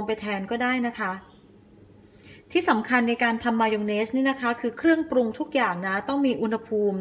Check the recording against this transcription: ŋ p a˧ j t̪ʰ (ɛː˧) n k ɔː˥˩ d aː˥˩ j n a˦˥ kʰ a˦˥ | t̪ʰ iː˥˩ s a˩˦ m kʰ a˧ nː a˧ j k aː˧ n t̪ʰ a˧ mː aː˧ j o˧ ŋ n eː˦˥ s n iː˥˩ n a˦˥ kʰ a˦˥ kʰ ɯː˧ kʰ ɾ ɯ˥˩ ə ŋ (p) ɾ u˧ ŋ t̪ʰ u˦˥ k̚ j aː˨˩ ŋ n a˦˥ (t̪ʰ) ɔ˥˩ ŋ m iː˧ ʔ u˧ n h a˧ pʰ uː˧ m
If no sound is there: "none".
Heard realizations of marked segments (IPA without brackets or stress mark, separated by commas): ɛː˧, p, t̪